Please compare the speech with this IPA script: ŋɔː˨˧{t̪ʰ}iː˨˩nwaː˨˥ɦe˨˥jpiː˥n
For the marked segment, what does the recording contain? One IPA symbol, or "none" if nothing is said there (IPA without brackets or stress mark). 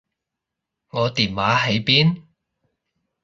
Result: t̪